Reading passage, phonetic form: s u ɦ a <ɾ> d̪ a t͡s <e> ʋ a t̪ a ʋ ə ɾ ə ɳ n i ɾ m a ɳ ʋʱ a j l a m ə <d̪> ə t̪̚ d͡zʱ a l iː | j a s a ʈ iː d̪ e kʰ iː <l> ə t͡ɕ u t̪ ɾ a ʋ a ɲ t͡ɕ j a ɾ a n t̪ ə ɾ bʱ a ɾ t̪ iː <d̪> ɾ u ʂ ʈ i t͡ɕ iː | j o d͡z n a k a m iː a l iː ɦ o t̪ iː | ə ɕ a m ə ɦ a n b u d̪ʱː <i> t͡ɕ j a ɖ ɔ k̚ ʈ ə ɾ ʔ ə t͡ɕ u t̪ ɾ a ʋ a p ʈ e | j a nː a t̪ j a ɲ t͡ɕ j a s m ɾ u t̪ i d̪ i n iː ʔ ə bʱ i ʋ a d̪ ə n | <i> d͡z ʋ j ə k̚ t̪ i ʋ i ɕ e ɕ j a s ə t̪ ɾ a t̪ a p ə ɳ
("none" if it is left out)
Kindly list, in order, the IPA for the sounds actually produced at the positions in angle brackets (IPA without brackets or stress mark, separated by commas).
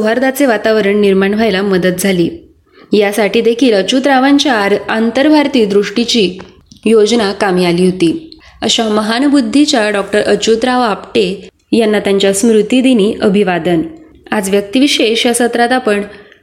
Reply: ɾ, e, d̪, l, d̪, i, a